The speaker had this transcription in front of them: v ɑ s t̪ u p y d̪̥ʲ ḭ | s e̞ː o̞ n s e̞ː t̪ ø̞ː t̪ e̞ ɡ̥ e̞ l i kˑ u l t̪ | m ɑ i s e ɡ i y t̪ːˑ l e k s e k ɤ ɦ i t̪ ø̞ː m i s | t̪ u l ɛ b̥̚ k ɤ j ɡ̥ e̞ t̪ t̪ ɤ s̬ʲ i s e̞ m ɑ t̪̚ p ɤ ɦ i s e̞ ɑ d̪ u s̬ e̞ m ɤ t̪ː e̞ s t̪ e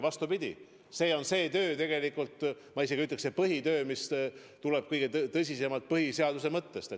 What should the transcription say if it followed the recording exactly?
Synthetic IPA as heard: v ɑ s t̪ u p i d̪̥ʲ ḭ | s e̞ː o̞ n s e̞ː t̪ ø̞ː t̪ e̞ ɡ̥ e̞ l i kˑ u l t̪ | m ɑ i s e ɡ i y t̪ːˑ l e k s e p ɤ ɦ i t̪ ø̞ː m i s | t̪ u l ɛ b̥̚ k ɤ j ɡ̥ e̞ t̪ t̪ ɤ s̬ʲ i s e̞ m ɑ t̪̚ p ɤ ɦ i s e̞ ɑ d̪ u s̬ e̞ m ɤ t̪ː e̞ s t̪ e